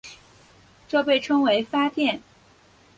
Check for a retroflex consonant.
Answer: present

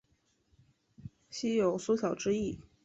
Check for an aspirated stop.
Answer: absent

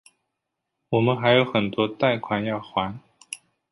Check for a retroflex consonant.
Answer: absent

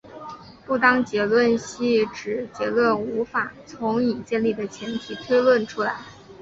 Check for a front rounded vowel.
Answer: absent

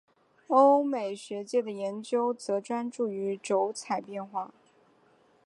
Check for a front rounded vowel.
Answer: present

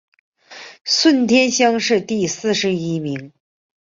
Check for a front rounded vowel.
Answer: absent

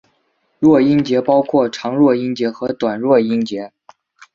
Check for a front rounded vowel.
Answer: absent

